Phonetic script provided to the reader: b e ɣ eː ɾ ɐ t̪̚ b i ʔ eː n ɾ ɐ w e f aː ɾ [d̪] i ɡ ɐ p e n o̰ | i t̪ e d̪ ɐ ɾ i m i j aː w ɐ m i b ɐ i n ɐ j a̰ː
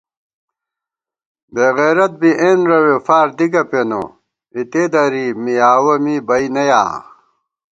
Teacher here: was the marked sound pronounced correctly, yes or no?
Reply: yes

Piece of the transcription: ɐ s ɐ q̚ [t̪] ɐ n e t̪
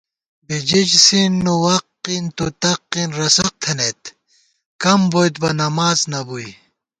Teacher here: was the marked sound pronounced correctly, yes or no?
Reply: no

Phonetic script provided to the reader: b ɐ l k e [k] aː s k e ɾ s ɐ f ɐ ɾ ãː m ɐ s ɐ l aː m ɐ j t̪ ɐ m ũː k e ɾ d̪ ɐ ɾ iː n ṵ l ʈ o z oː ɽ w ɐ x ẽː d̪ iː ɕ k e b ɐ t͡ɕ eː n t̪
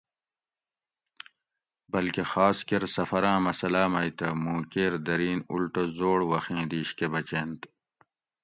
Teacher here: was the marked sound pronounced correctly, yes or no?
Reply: no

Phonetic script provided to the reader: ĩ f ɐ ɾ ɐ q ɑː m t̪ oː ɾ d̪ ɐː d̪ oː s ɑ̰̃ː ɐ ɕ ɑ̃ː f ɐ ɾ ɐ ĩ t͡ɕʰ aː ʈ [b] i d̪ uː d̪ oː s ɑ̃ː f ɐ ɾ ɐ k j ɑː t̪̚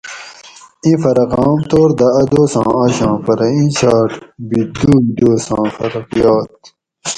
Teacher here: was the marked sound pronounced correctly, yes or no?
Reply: yes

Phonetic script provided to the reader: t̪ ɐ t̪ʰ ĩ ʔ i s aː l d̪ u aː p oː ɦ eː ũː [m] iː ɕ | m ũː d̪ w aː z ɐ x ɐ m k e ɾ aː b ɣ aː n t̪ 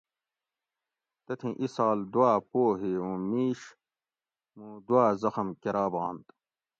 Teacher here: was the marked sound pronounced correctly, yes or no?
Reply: yes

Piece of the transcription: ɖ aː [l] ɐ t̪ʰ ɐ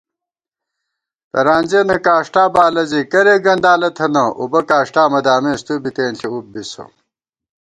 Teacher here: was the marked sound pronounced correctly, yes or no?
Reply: yes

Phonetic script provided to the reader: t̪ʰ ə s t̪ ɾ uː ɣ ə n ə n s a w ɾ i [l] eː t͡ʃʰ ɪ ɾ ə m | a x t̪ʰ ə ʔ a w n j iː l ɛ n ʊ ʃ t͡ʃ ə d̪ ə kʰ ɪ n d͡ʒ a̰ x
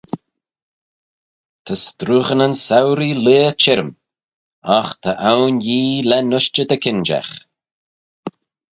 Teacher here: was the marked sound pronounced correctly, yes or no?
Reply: yes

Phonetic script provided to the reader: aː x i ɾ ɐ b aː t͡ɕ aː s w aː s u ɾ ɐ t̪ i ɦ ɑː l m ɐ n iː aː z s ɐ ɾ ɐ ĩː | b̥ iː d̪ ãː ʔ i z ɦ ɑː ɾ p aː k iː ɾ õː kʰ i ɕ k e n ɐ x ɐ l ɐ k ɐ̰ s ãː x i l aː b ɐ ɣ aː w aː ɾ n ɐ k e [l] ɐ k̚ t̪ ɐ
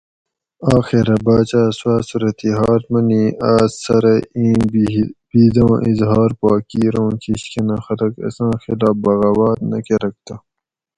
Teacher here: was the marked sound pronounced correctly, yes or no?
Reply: no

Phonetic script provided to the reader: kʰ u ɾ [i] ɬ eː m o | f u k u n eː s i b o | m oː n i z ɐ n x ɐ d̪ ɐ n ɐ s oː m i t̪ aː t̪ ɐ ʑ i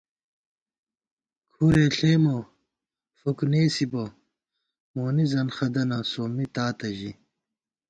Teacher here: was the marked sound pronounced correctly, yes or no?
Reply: no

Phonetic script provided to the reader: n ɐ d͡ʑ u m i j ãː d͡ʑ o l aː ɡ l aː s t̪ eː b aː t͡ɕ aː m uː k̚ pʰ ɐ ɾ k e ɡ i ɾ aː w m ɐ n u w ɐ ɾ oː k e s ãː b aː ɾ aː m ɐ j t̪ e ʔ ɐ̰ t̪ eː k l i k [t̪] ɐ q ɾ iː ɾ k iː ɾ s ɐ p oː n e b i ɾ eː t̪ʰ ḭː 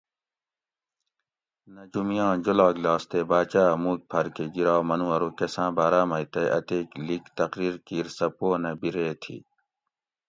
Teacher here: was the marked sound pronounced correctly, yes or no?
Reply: yes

